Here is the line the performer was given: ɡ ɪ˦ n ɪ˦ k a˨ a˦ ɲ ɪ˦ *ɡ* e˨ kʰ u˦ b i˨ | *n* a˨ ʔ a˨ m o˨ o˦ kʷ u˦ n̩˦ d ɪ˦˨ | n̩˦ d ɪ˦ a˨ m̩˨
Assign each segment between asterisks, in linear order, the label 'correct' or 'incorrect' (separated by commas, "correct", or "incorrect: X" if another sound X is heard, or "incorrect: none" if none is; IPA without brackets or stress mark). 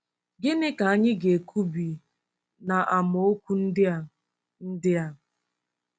correct, correct